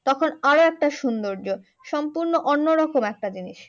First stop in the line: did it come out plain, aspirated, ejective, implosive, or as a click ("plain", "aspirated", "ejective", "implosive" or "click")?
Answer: plain